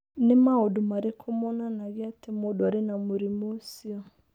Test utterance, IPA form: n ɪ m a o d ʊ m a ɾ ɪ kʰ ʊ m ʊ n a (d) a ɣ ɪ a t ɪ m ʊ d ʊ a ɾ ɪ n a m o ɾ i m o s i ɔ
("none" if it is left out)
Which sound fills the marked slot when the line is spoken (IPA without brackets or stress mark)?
n